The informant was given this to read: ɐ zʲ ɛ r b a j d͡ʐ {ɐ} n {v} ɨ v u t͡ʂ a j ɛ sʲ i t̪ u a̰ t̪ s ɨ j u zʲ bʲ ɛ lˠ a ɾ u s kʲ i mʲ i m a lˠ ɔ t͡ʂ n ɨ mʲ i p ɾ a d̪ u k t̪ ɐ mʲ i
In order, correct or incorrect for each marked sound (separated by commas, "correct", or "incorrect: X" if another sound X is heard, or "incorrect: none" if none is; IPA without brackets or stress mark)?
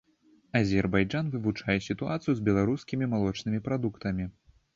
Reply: incorrect: a, correct